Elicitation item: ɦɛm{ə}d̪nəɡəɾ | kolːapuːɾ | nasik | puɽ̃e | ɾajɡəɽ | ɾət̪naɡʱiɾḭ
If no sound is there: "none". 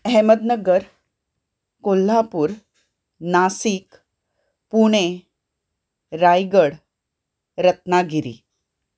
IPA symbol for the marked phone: ə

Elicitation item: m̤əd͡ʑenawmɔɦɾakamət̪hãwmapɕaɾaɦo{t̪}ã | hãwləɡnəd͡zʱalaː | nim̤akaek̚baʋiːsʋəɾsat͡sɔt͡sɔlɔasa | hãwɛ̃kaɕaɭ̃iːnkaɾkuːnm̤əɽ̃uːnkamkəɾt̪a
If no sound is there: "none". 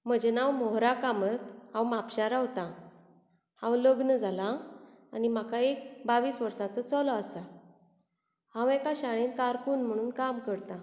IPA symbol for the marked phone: t̪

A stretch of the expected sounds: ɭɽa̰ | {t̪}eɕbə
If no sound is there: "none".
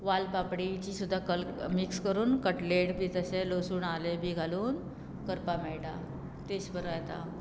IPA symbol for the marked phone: t̪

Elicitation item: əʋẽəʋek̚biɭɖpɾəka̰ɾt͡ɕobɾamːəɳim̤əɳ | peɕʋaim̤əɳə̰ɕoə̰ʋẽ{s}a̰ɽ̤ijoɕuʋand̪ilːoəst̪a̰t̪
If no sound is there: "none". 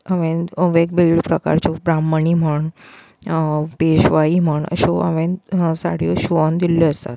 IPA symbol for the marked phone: s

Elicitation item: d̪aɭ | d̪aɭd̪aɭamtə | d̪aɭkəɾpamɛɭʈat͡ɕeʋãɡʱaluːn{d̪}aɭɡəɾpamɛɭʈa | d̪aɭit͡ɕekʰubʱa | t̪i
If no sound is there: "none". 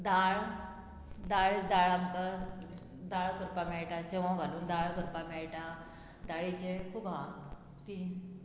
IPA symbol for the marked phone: d̪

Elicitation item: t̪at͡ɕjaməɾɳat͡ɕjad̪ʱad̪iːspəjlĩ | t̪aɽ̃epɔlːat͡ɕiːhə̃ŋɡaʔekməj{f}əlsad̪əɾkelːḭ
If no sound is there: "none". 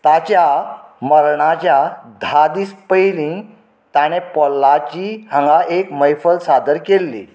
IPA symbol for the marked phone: f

